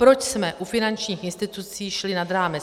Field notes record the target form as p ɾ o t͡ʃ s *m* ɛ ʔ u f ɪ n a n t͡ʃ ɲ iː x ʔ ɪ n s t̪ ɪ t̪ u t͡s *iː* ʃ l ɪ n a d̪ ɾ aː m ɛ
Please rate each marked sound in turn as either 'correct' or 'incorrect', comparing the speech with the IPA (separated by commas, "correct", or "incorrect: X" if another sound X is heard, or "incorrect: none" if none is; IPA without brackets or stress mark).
correct, correct